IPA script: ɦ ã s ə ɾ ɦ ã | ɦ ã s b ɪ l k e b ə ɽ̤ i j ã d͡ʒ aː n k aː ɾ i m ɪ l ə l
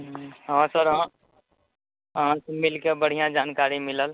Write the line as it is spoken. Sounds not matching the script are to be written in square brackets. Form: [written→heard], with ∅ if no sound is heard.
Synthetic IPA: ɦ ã s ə ɾ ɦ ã | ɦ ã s [b→m] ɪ l k e b ə ɽ̤ i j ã d͡ʒ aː n k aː ɾ i m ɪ l ə l